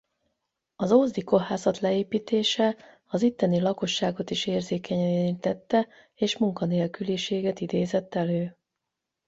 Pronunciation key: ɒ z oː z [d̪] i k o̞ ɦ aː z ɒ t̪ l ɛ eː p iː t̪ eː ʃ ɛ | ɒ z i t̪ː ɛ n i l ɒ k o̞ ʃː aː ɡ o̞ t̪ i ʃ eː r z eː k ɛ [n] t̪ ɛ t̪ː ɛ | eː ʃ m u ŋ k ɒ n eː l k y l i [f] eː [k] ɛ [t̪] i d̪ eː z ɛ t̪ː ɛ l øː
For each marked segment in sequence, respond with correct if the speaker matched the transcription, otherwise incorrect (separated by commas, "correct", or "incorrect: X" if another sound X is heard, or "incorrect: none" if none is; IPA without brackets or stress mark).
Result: correct, incorrect: ɲ, incorrect: ʃ, incorrect: ɡ, correct